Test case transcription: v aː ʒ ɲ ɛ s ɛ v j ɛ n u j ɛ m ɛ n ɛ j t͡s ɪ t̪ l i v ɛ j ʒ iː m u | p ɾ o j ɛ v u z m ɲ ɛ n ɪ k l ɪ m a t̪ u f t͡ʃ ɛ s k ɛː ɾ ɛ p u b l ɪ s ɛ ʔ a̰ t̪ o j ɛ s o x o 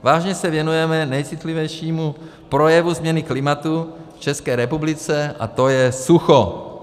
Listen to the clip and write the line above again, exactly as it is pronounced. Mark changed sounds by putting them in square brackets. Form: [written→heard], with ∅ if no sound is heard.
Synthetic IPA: v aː ʒ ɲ ɛ s ɛ v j ɛ n u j ɛ m ɛ n ɛ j t͡s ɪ t̪ l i v ɛ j [ʒ→ʃ] iː m u | p ɾ o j ɛ v u z m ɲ ɛ n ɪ k l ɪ m a t̪ u f t͡ʃ ɛ s k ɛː ɾ ɛ p u b l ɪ [s→t͡s] ɛ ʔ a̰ t̪ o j ɛ s [o→u] x o